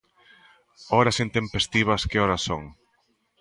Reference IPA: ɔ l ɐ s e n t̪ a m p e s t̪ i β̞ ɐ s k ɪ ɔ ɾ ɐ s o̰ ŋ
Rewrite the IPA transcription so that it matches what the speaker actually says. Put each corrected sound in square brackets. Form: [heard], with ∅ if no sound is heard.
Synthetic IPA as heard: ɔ [ɾ] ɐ s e n t̪ [e] m p e s t̪ i β̞ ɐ s k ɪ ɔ ɾ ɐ s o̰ ŋ